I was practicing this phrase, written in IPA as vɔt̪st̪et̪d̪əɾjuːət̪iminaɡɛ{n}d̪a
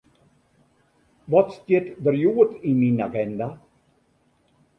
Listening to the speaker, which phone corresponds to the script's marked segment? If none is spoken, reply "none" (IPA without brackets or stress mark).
n